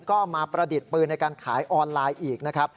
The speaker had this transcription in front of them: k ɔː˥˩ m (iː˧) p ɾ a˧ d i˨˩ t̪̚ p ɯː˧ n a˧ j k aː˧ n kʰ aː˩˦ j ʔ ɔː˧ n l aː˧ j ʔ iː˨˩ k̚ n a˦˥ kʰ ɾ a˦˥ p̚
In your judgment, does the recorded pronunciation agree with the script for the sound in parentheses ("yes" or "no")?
no